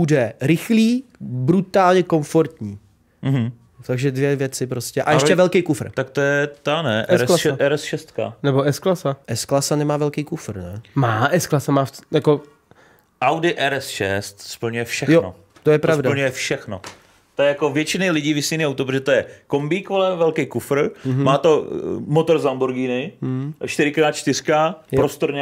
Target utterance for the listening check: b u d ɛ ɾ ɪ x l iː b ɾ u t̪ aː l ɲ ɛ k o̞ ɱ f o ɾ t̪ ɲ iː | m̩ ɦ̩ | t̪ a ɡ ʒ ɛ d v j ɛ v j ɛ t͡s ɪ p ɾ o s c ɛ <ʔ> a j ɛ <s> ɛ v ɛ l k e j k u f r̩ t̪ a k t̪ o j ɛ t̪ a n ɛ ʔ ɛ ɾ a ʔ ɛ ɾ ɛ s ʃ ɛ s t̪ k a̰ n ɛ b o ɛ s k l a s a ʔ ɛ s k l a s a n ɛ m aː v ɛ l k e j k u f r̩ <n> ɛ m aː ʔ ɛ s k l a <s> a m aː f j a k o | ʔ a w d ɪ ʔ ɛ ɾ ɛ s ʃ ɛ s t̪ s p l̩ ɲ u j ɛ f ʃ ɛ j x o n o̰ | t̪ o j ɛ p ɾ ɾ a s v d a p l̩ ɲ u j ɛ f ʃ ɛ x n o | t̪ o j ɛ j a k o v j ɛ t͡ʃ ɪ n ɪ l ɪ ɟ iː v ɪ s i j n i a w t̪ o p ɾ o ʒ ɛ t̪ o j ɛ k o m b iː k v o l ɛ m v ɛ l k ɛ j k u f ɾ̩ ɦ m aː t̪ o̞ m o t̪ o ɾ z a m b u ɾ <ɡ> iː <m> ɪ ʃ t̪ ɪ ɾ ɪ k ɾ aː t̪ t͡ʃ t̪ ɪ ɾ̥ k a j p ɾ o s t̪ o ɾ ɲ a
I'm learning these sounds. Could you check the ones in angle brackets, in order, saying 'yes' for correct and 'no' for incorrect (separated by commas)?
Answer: yes, no, yes, yes, yes, no